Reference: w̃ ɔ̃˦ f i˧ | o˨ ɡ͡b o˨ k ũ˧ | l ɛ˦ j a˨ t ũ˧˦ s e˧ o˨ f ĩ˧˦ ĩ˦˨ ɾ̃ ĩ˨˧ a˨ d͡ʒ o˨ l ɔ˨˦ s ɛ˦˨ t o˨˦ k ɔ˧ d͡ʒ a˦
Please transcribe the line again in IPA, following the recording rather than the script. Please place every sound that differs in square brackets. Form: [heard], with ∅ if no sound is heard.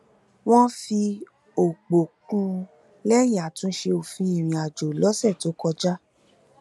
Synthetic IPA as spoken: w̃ ɔ̃˦ f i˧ | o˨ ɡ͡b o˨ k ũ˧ | l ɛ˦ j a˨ t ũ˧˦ [ʃ] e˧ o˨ f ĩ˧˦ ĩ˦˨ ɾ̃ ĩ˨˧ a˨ d͡ʒ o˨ l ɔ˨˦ s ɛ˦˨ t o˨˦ k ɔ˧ d͡ʒ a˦